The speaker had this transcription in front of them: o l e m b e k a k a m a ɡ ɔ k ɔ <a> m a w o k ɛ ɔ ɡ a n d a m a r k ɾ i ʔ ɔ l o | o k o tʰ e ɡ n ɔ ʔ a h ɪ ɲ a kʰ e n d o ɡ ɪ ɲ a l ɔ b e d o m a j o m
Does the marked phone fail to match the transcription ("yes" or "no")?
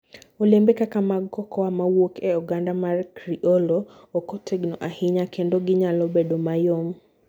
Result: no